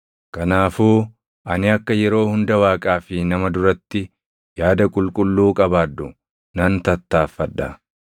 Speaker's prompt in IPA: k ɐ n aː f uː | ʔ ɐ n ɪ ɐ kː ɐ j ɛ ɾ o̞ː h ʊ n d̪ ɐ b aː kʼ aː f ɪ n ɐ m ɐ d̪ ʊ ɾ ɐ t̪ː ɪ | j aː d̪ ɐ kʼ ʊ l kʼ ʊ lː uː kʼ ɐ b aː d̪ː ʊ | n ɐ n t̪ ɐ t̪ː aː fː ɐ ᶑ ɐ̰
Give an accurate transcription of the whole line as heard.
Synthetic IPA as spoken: k ɐ n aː f uː | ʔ ɐ n ɪ ɐ kː ɐ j ɛ ɾ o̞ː h ʊ n d̪ ɐ w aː kʼ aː f ɪ n ɐ m ɐ d̪ ʊ ɾ ɐ t̪ː ɪ | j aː d̪ ɐ kʼ ʊ l kʼ ʊ lː uː kʼ ɐ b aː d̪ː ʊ | n ɐ n t̪ ɐ t̪ː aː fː ɐ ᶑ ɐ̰